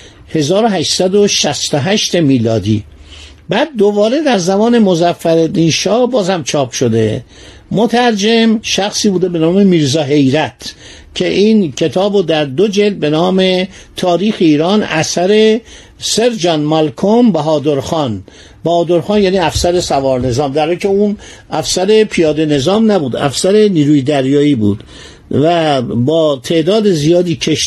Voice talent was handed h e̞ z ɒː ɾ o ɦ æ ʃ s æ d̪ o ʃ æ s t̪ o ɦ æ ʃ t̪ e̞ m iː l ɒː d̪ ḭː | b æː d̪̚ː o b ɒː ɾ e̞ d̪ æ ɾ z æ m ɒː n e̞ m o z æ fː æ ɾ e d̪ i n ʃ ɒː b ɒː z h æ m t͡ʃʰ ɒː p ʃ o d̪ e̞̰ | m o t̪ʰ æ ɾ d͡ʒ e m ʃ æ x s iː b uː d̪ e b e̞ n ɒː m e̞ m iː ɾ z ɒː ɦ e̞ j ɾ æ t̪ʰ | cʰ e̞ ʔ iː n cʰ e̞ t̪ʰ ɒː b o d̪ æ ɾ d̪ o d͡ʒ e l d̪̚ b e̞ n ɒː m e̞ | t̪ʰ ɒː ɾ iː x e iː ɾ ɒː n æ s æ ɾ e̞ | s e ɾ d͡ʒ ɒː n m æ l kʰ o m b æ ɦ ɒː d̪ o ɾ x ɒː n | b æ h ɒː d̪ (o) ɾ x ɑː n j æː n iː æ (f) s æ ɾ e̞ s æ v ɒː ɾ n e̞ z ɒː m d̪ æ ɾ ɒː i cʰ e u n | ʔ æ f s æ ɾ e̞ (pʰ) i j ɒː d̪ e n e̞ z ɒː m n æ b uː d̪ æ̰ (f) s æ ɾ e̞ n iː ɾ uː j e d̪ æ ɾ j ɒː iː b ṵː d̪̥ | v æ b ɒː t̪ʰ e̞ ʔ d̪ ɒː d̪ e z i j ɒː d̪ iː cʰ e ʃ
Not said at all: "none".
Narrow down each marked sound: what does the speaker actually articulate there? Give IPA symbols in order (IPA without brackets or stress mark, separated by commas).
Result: o, f, pʰ, f